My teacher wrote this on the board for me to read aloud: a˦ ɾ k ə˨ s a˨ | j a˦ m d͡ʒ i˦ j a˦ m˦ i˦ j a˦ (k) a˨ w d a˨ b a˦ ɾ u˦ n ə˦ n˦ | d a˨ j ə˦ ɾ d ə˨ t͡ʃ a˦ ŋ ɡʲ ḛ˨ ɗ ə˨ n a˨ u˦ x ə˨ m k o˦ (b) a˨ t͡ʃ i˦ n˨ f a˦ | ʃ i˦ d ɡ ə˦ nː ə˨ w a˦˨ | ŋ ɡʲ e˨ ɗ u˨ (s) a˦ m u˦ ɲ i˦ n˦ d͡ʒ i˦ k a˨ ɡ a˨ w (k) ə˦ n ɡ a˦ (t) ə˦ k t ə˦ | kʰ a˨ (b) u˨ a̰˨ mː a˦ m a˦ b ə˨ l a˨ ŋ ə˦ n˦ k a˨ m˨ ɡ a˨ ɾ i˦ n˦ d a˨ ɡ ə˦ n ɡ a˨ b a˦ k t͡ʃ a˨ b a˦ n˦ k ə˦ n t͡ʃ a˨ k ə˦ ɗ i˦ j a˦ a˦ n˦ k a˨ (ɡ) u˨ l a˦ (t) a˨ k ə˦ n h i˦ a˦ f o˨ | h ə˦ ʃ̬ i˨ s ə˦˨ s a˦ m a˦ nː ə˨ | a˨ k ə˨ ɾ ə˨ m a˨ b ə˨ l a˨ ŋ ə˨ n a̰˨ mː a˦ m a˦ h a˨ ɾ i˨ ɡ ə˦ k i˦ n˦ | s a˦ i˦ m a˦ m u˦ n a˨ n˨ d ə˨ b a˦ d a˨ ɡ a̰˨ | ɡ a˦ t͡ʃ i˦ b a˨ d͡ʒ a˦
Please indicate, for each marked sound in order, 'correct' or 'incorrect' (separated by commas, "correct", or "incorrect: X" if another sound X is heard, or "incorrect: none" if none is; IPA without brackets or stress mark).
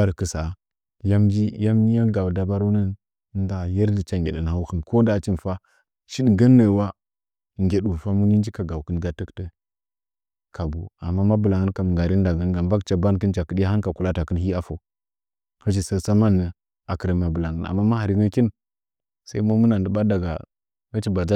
incorrect: ɡ, incorrect: d, incorrect: f, correct, correct, correct, incorrect: k, correct